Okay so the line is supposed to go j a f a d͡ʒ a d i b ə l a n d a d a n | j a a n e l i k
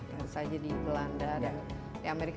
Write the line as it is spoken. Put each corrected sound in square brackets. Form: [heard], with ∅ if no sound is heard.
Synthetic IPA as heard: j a [s] a d͡ʒ a d i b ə l a n d a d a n | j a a [m] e [ɾ] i k